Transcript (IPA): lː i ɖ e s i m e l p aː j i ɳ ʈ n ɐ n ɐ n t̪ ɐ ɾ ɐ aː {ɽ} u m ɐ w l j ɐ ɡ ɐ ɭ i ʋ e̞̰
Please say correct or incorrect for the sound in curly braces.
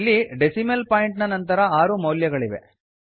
incorrect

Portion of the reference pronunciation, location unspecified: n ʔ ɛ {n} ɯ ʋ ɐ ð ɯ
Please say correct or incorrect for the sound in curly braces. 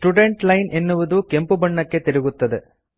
incorrect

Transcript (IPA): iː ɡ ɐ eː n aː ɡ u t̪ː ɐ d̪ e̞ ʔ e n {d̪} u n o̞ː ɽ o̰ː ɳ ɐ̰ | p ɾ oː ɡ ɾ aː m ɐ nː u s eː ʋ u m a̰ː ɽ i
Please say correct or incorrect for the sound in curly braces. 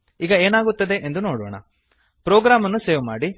correct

